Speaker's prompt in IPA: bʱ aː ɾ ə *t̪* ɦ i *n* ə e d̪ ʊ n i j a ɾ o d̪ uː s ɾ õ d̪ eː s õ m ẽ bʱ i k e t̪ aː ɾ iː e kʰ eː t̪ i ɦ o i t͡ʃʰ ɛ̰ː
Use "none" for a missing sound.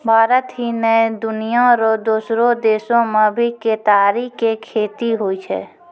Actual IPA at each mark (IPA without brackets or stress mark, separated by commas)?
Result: t̪, n